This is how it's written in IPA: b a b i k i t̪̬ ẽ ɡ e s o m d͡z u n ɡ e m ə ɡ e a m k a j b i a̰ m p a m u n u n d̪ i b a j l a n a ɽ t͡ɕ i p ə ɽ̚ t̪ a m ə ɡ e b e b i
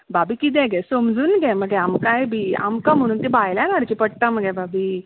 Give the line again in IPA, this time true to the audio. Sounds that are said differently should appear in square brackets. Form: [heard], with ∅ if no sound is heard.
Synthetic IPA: b a b i k i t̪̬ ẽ ɡ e s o m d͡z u n ɡ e m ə ɡ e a m k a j b i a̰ m [k] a m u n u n [t̪] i b a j l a n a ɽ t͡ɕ i p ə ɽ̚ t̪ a m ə ɡ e b [a] b i